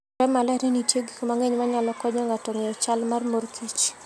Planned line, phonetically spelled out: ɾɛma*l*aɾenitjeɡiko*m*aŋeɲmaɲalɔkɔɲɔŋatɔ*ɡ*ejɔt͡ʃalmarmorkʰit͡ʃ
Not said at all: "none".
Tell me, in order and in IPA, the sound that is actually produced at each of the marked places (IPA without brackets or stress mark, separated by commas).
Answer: l, m, ŋ